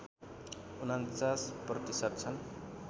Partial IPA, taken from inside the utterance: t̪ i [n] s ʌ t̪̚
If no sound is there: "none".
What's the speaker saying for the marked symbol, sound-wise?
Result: none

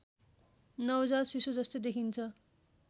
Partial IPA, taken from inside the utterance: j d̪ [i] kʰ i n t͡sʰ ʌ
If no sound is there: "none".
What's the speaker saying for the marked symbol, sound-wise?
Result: e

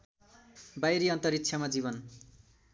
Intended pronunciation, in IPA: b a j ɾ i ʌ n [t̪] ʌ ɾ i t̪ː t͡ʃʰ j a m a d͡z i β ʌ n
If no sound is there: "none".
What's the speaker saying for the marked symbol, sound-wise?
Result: t̪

